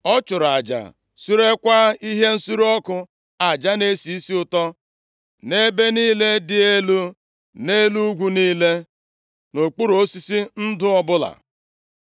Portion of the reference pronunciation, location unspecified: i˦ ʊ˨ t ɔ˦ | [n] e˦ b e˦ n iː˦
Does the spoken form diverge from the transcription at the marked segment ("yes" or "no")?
no